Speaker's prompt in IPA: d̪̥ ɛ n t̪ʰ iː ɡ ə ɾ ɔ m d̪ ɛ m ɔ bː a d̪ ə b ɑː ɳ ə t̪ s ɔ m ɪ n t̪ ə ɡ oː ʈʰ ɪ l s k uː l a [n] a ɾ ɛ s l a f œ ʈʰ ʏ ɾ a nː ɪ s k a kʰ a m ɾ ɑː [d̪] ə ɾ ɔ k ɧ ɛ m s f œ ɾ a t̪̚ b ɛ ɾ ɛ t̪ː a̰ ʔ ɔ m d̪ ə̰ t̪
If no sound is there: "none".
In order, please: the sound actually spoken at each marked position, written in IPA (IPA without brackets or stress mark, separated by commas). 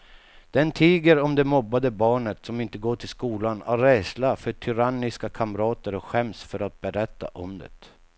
n, t̪